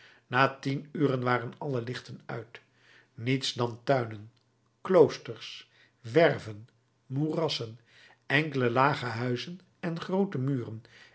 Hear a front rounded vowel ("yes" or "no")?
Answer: yes